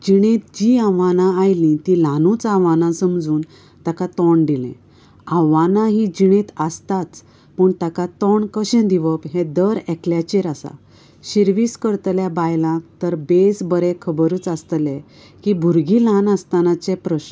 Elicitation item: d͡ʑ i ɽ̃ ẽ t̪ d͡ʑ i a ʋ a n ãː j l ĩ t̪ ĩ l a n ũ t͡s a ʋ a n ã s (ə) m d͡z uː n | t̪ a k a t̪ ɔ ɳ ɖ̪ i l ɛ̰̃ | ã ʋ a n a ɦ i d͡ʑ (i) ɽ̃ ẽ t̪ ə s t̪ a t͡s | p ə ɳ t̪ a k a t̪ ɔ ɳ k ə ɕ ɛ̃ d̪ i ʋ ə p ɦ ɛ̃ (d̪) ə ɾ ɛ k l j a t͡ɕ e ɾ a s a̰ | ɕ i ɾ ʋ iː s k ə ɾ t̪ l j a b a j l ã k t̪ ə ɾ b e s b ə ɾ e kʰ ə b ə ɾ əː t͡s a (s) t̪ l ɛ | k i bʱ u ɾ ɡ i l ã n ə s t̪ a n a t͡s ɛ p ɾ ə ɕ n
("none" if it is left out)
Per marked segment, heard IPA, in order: ə, i, d̪, s

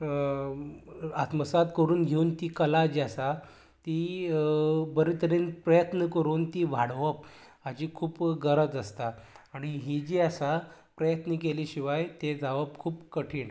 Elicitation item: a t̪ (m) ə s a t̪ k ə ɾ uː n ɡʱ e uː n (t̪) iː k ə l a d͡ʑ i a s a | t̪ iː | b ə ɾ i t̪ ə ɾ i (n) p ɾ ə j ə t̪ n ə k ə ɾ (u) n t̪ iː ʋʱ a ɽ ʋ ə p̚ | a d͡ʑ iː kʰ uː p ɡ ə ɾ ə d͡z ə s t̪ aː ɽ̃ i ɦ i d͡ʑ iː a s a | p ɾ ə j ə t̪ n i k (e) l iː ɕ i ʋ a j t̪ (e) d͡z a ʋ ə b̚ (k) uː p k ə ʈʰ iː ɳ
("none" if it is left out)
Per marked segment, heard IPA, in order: m, t̪, n, uː, e, e, kʰ

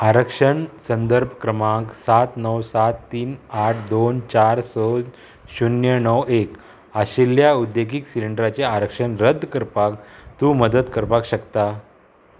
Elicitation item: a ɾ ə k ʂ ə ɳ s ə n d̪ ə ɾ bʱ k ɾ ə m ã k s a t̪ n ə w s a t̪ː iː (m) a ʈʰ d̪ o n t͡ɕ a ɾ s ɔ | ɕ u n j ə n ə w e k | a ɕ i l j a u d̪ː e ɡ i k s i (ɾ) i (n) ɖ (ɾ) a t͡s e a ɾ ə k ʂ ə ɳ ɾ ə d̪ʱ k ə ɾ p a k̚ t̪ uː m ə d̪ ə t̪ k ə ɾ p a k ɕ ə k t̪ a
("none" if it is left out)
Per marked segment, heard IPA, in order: n, l, ɳ, ɾ

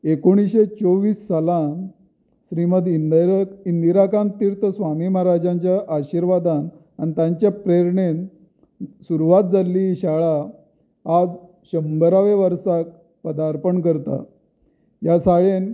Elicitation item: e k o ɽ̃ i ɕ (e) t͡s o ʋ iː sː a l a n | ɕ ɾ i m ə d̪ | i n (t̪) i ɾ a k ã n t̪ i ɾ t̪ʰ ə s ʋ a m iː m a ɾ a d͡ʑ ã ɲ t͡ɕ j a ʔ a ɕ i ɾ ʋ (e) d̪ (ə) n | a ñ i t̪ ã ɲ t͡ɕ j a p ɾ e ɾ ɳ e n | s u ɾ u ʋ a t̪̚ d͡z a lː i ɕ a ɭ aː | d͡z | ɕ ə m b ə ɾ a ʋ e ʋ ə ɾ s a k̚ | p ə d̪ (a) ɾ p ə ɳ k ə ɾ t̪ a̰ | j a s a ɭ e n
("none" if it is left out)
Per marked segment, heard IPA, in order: e, d̪, a, a, a

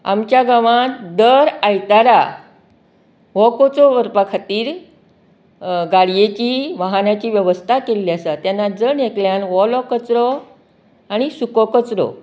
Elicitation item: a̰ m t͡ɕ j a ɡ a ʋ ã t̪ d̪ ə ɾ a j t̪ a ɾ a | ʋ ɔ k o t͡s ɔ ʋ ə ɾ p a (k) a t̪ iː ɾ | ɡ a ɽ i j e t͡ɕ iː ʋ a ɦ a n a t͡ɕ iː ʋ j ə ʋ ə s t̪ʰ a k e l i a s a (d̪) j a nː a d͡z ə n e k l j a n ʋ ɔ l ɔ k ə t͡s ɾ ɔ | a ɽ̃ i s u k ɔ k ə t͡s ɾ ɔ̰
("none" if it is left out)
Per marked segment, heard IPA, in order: kʰ, t̪

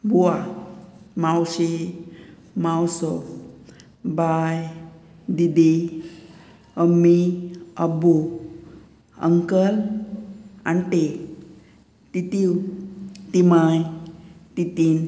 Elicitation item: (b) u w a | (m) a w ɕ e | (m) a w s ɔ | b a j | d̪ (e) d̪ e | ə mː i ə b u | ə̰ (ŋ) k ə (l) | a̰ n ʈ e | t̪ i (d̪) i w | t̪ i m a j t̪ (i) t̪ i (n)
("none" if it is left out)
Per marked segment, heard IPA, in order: b, m, m, i, ŋ, l, t̪, i, n

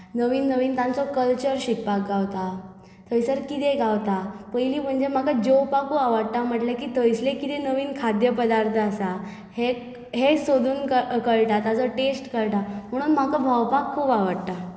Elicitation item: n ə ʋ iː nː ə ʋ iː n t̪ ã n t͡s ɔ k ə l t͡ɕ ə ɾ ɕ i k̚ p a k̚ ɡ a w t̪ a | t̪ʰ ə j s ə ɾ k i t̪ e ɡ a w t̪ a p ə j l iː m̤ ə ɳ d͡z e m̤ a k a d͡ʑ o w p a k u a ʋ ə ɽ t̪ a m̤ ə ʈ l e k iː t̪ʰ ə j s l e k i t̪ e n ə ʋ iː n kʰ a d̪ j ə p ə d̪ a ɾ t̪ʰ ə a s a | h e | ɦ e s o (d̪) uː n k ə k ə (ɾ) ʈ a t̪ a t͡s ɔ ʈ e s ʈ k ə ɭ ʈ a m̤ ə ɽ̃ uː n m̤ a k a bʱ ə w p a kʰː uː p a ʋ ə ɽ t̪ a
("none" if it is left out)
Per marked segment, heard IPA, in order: d̪, ɭ

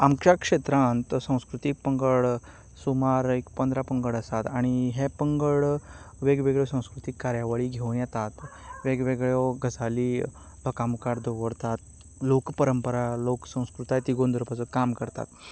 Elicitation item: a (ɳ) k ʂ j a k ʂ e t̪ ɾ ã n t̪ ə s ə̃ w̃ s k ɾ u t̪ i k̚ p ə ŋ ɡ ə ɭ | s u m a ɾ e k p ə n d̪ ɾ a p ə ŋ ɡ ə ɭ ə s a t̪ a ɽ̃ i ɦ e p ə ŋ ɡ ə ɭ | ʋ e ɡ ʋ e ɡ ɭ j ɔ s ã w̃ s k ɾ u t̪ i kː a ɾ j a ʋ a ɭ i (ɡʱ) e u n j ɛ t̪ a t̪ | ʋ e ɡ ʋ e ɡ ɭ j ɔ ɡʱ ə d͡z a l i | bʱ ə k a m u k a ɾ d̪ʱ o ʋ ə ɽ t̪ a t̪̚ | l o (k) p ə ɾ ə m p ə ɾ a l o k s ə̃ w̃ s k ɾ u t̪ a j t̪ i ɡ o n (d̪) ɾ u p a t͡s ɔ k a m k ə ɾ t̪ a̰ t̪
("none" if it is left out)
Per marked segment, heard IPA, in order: m, ɡʱ, k, d̪

